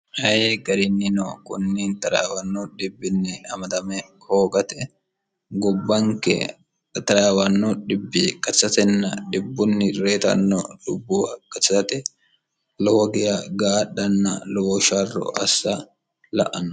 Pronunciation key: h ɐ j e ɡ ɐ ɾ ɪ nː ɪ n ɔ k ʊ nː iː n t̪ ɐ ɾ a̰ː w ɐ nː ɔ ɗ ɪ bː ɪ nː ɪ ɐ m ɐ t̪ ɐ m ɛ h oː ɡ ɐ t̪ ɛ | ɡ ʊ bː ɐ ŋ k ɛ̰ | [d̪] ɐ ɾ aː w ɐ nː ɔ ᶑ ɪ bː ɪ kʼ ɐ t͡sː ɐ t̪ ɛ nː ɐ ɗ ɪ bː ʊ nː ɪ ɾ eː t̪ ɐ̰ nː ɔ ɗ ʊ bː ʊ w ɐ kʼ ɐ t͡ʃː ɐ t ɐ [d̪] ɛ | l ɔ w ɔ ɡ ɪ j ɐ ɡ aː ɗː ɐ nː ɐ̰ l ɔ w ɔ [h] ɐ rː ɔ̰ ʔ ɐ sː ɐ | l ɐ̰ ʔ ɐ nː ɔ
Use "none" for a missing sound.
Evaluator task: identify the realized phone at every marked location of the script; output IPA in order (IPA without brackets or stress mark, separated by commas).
t̪, t̪, ʃ